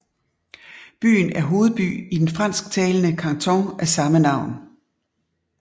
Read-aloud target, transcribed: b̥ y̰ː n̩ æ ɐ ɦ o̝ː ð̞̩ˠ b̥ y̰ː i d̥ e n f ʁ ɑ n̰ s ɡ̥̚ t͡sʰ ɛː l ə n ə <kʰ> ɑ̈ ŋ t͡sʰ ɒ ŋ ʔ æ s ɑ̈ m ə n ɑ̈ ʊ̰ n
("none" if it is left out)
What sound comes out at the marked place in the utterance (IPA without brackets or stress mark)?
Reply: kʰ